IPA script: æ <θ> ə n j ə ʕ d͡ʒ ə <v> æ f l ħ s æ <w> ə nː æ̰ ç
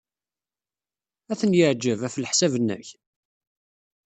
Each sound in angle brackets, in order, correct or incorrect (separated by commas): correct, correct, incorrect